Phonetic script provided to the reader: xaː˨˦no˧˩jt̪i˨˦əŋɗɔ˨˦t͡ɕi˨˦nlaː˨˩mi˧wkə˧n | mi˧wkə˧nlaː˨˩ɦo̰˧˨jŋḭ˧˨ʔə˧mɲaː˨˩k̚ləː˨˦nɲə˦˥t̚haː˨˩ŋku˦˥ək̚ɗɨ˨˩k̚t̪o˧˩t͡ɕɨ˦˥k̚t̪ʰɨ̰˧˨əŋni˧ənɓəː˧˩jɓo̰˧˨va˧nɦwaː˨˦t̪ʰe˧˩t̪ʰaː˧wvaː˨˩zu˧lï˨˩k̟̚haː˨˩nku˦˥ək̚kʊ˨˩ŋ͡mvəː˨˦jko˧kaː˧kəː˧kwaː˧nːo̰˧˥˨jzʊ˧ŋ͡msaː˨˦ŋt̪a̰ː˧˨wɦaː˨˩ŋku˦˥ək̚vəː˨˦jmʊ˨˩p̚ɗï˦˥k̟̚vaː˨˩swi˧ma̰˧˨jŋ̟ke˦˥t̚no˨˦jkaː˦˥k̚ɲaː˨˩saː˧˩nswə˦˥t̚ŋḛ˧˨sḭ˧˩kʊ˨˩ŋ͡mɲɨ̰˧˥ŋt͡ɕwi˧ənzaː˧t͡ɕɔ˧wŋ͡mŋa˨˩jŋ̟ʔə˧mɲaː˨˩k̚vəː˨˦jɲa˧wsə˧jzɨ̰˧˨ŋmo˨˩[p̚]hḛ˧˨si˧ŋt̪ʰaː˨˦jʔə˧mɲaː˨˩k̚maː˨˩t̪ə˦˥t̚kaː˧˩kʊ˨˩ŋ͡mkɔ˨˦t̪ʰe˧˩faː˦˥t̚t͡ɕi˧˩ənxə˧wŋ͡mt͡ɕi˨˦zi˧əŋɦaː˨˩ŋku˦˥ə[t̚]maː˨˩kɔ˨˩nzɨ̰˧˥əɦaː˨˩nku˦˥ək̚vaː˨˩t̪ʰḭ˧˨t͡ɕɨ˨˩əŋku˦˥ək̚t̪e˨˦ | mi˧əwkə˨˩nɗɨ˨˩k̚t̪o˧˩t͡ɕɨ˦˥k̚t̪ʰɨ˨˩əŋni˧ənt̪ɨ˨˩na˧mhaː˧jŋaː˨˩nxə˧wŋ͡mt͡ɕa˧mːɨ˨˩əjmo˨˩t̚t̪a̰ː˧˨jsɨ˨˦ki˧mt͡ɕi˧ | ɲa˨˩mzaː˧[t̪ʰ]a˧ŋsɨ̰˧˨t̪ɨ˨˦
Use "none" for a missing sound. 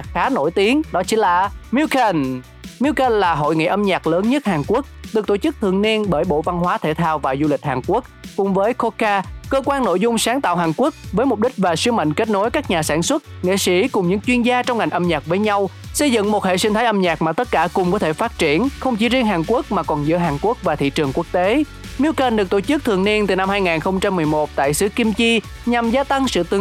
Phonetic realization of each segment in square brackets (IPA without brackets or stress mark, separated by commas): t̚, k̚, t̪